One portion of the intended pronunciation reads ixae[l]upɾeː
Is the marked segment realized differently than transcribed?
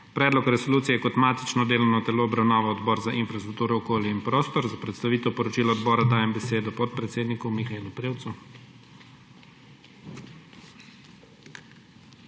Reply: no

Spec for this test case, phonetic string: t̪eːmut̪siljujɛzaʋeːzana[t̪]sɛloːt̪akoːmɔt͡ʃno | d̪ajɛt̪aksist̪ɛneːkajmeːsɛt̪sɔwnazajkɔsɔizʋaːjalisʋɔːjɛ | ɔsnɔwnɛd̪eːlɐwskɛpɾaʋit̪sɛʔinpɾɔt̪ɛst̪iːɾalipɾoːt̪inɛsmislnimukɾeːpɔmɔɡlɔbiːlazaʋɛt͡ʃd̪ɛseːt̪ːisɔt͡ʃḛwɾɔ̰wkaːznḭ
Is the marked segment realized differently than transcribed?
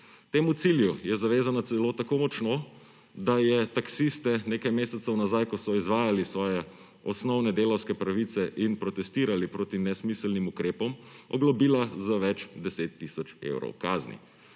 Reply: no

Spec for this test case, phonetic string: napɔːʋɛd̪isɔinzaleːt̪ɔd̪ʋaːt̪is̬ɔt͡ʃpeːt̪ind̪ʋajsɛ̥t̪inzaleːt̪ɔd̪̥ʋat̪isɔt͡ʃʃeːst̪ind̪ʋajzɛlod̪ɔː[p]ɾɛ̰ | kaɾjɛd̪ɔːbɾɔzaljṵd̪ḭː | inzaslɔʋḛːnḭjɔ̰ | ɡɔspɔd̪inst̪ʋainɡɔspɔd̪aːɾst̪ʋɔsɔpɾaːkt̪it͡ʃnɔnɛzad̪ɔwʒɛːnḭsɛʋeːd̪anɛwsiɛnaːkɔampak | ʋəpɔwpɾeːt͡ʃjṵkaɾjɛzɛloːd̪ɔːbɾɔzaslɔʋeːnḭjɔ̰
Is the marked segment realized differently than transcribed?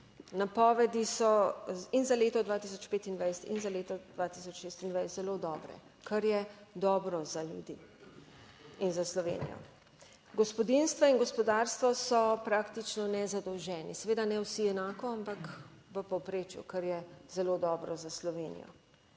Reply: yes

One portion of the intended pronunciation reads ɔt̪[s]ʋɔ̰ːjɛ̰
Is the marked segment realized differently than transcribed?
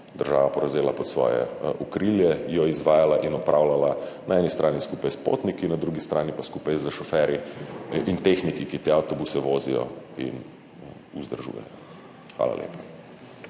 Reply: no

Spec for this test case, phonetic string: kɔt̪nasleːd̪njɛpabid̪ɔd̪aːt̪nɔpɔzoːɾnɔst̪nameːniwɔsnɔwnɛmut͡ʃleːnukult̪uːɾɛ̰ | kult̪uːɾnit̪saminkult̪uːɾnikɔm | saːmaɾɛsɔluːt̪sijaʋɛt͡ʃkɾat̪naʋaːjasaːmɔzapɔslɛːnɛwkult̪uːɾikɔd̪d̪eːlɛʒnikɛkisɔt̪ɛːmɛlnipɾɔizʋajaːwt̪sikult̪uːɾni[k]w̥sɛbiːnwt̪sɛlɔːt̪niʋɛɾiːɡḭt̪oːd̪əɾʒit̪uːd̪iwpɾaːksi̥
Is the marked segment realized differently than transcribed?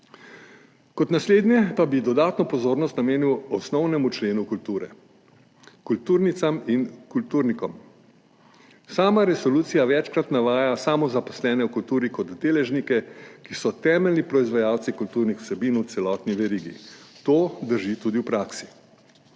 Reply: yes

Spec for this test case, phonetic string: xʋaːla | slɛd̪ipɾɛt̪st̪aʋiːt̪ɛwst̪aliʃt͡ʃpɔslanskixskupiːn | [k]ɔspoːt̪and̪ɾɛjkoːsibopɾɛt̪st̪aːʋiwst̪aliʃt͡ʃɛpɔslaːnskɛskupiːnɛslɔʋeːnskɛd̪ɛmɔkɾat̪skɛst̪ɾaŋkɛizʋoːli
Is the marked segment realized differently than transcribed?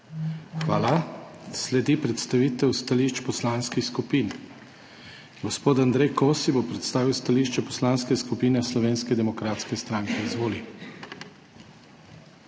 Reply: yes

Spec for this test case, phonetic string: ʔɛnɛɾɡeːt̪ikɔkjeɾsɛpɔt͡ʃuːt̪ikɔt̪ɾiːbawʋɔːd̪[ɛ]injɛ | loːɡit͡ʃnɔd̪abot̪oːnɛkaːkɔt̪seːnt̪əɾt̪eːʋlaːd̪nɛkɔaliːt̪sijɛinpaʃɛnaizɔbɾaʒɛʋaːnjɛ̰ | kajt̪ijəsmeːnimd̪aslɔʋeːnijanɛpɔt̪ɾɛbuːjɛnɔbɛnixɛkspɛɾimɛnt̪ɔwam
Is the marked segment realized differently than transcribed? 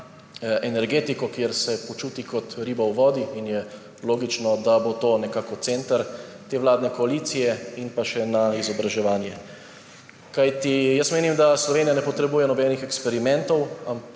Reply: yes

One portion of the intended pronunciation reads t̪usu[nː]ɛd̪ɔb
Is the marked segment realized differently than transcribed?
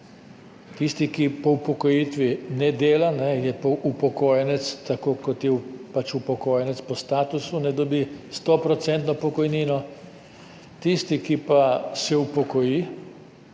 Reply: yes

